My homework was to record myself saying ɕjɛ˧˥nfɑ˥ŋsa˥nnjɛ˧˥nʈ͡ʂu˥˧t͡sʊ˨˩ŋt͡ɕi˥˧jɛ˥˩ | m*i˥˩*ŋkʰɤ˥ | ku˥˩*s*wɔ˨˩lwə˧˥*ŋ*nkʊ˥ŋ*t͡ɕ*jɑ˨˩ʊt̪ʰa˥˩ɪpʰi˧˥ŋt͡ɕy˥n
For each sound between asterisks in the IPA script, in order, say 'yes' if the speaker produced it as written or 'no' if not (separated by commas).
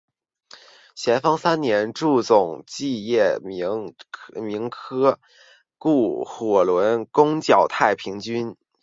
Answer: no, no, no, yes